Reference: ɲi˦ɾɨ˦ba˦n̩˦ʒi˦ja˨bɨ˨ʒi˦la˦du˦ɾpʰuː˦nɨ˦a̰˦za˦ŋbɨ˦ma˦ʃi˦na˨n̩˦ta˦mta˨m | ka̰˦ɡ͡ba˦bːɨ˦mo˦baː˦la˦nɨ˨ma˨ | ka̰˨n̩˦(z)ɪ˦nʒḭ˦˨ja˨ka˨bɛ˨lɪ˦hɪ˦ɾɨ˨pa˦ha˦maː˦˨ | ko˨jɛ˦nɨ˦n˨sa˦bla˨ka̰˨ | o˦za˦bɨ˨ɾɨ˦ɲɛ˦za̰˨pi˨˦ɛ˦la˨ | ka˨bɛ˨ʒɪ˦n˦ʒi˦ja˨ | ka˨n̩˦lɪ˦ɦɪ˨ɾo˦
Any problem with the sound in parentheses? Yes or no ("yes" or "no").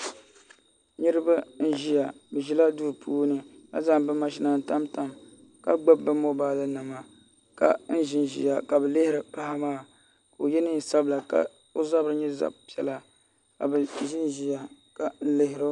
yes